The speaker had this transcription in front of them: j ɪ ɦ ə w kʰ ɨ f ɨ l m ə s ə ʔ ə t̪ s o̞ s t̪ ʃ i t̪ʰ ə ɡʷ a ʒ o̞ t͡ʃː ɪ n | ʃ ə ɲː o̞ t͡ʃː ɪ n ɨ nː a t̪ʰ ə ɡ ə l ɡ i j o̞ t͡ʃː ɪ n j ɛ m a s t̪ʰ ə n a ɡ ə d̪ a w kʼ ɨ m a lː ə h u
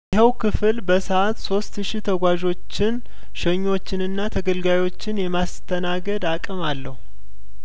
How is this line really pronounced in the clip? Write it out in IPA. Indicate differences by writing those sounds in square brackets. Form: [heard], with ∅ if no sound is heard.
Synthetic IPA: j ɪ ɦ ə w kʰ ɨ f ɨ l [b] ə s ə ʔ [a] t̪ s o̞ s t̪ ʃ i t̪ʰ ə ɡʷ a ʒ o̞ t͡ʃː ɪ n | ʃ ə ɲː o̞ t͡ʃː ɪ n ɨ nː a t̪ʰ ə ɡ ə l ɡ [a] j o̞ t͡ʃː ɪ n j ɛ m a s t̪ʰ ə n a ɡ ə d̪ a [∅] kʼ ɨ m a lː ə h u